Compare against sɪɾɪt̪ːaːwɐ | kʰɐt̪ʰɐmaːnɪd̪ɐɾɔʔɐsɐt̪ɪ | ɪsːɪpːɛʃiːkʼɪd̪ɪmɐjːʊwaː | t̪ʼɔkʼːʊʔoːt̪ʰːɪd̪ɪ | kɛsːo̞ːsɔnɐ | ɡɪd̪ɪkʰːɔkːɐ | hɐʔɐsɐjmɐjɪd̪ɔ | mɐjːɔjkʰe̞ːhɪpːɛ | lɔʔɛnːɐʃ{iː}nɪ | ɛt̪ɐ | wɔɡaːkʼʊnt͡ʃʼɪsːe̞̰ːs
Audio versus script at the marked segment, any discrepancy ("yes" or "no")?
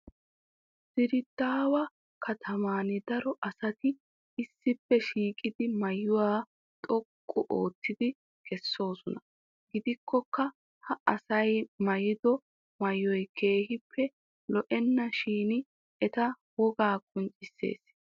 no